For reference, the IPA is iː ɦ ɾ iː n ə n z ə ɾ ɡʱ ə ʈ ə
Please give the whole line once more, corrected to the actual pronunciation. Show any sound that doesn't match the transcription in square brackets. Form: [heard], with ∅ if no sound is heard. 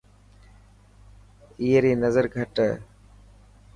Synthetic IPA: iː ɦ ɾ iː n ə [∅] z ə ɾ ɡʱ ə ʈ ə